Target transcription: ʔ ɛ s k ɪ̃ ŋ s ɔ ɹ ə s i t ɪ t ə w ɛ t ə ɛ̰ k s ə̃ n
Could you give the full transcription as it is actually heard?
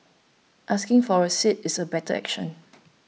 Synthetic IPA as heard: ʔ a s k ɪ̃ ŋ f ɔ ɹ ə s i t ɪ s ə b ɛ t ə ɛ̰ k ʃ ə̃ n